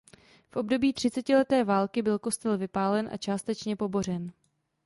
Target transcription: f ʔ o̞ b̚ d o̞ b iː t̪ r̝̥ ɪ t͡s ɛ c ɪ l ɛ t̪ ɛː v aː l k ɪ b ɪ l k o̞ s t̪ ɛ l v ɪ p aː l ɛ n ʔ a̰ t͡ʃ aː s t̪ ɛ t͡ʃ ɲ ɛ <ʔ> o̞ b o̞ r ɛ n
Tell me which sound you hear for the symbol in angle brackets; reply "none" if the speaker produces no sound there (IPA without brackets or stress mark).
p